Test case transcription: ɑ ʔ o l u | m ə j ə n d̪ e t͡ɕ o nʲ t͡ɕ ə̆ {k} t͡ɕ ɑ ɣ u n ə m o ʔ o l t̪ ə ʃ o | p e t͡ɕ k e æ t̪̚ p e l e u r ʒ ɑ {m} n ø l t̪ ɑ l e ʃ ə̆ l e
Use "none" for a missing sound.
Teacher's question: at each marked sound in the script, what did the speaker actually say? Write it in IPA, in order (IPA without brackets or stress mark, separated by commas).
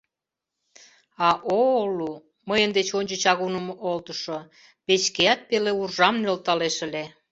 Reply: none, m